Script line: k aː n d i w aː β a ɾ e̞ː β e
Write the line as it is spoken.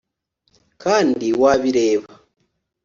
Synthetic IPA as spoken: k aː n d i w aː β i ɾ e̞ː β a